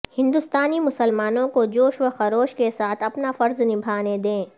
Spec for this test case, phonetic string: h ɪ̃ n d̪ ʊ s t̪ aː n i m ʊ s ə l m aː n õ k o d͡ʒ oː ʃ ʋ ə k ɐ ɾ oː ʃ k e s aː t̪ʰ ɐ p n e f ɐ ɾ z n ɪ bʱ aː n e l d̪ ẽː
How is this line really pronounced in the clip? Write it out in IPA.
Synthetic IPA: h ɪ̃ n d̪ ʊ s t̪ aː n i m ʊ s ə l m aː n õ k o d͡ʒ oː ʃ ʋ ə x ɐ ɾ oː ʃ k e s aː t̪ʰ ɐ p n a f ɐ ɾ z n ɪ bʱ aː n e d̪ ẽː